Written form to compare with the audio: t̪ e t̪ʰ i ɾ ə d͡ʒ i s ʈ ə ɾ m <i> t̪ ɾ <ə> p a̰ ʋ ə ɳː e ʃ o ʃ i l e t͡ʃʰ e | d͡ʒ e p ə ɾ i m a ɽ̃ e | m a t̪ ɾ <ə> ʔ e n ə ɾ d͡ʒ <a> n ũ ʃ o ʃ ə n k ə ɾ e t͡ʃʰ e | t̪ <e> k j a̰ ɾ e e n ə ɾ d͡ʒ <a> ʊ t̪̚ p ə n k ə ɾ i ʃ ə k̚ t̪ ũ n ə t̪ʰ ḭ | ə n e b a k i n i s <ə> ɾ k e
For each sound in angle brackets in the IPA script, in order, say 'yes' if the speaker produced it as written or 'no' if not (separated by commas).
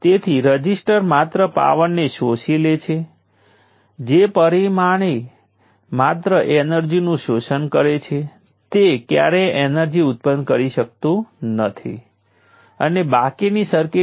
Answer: no, yes, yes, no, yes, no, yes